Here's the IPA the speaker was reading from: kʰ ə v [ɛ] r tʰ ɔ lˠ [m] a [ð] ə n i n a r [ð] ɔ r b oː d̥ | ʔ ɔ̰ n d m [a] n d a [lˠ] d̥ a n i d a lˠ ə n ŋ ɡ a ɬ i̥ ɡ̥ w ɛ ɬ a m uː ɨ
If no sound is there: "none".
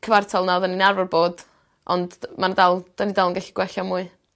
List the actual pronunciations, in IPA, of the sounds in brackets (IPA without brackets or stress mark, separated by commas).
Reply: a, n, ð, v, a, lˠ